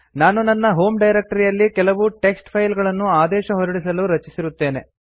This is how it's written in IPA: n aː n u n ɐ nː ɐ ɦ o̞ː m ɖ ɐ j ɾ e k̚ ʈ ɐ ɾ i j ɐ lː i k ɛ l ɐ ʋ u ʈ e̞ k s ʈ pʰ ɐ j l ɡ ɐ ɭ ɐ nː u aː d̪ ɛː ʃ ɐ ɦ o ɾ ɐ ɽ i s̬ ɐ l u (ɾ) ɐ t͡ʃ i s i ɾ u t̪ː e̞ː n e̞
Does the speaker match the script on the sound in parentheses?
yes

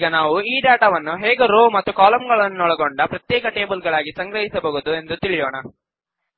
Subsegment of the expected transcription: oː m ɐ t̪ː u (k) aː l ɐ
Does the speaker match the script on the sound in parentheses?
yes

